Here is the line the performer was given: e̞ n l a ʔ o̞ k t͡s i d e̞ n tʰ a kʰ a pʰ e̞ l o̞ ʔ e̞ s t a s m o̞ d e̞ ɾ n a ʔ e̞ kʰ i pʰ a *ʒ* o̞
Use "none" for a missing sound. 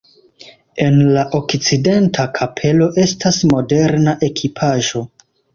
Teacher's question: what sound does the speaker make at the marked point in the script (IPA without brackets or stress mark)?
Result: ʒ